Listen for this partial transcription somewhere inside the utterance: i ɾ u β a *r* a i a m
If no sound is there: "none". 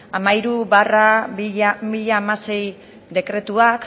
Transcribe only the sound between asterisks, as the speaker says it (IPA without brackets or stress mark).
r